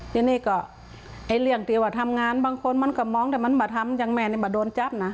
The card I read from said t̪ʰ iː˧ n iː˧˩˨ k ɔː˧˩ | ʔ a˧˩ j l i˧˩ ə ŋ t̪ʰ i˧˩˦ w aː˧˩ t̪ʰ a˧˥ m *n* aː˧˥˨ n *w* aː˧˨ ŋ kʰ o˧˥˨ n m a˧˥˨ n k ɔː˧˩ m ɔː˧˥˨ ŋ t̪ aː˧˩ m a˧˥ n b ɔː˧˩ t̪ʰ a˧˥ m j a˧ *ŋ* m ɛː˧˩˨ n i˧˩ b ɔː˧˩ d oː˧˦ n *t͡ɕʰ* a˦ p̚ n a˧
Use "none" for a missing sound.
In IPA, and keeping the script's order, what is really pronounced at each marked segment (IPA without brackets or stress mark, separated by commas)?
ŋ, b, ŋ, t͡ɕ